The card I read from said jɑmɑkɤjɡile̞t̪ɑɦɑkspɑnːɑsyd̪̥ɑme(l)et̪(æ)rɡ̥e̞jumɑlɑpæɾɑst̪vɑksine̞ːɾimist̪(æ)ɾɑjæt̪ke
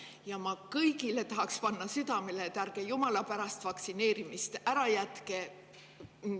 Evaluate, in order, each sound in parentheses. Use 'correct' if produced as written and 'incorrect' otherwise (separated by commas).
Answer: correct, correct, correct